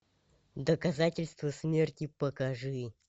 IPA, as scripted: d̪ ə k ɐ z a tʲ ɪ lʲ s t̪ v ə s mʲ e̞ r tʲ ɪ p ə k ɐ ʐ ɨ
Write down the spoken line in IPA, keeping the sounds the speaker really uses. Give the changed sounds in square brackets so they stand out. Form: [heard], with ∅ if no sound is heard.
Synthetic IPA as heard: d̪ ə k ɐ z a tʲ ɪ lʲ s t̪ v ə s mʲ e̞ r tʲ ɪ p ə k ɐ ʐ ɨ